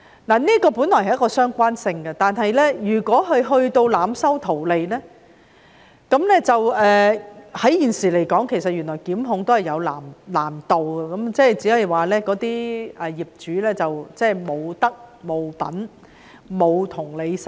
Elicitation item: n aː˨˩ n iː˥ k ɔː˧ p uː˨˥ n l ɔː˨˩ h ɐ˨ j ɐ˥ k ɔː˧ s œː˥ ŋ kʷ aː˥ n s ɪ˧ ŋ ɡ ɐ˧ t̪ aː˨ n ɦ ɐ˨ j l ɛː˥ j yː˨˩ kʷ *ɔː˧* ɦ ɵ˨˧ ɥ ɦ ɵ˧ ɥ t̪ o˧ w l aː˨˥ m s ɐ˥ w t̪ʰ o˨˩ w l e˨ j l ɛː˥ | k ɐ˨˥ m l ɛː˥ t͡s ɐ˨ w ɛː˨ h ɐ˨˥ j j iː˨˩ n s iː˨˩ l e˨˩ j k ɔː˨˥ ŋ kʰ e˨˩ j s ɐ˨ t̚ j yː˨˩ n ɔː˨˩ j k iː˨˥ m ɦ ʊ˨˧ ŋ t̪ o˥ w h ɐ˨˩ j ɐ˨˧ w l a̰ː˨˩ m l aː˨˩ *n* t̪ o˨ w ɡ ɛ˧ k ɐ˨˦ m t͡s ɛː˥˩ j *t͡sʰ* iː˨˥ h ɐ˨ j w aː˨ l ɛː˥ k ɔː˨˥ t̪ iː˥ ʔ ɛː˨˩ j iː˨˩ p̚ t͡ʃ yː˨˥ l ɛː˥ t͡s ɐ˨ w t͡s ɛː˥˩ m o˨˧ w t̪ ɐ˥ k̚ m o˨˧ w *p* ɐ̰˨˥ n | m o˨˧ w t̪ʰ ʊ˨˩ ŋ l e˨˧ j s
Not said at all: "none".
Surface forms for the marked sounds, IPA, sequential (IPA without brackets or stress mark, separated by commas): ɔː˨˥, m, t͡s, p